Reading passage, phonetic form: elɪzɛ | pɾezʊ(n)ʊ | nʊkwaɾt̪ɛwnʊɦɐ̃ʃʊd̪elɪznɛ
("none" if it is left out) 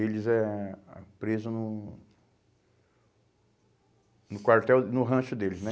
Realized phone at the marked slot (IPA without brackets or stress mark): n